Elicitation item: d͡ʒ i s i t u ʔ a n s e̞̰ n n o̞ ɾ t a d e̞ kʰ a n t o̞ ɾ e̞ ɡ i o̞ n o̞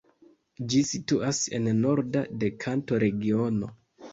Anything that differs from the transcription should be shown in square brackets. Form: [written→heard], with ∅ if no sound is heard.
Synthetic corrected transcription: d͡ʒ i s i t u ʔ a [n→∅] s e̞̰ n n o̞ ɾ [t→d] a d e̞ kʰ a n t o̞ ɾ e̞ ɡ i o̞ n o̞

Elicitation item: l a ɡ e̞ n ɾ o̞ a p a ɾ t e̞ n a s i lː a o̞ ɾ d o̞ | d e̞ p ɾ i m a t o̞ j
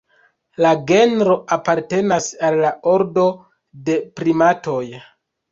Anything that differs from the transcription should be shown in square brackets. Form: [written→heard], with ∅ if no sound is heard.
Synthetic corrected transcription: l a ɡ e̞ n ɾ o̞ a p a ɾ t e̞ n a s [i→a] lː a o̞ ɾ d o̞ | d e̞ p ɾ i m a t o̞ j

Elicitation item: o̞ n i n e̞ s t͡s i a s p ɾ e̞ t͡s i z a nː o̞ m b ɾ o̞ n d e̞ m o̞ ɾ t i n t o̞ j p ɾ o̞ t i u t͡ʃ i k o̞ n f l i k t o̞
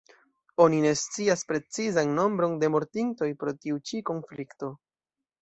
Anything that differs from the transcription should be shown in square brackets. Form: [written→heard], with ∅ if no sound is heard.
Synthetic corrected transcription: o̞ n i n e̞ s t͡s i a s p ɾ e̞ t͡s i z a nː o̞ m b ɾ o̞ n d e̞ m o̞ ɾ t i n t o̞ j p ɾ o̞ t i u t͡ʃ i k o̞ n f l i k t o̞

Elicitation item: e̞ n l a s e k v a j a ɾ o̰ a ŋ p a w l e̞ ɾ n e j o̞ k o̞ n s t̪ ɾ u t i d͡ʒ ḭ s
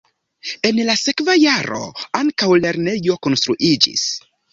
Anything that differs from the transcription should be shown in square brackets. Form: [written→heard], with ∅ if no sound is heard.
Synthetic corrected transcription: e̞ n l a s e k v a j a ɾ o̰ a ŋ [p→k] a w l e̞ ɾ n e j o̞ k o̞ n s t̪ ɾ u [t→ʔ] i d͡ʒ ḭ s

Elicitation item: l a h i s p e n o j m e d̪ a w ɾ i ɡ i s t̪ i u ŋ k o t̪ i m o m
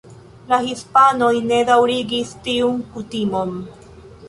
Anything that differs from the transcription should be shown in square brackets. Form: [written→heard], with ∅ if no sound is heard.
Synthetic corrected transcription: l a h i s p [e→a] n o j [m→n] e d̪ a w ɾ i ɡ i s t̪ i u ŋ k [o→u] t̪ i m o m

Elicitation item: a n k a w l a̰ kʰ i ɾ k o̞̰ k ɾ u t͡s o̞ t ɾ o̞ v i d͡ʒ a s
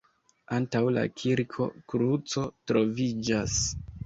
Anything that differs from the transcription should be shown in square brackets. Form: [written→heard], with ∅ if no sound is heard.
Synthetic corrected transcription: a n [k→t] a w l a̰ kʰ i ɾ [k→kʰ] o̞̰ k ɾ u t͡s o̞ t ɾ o̞ v i d͡ʒ a s

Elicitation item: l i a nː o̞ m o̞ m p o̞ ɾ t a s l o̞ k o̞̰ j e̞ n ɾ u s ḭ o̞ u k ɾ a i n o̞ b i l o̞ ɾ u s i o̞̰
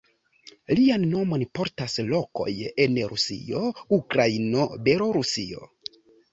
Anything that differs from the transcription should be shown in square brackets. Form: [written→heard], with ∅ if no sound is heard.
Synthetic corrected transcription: l i a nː o̞ m o̞ [m→n] p o̞ ɾ t a s l o̞ k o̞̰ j e̞ n ɾ u s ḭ o̞ u k ɾ a i n o̞ b [i→e] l o̞ ɾ u s i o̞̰

